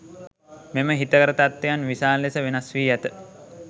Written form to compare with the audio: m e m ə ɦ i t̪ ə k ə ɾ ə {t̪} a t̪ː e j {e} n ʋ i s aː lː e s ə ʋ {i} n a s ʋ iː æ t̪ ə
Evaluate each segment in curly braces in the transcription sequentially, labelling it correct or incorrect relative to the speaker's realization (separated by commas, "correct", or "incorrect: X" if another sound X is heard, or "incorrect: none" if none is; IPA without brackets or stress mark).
correct, incorrect: a, incorrect: e